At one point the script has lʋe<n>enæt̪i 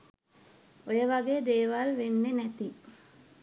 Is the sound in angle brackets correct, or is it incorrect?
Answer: incorrect